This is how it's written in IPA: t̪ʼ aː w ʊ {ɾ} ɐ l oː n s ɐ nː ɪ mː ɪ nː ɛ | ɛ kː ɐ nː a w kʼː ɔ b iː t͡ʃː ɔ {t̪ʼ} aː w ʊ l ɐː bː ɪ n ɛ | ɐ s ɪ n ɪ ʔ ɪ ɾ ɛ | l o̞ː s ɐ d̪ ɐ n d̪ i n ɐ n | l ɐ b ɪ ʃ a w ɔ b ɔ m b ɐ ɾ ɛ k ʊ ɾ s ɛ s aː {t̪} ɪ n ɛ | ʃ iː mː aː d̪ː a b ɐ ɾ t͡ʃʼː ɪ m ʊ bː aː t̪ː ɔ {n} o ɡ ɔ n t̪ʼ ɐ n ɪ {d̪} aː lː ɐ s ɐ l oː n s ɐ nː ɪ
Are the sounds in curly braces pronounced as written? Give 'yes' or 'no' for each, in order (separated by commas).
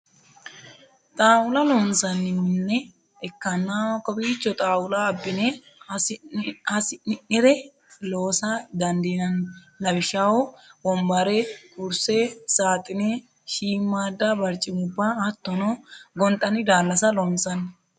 no, yes, no, yes, yes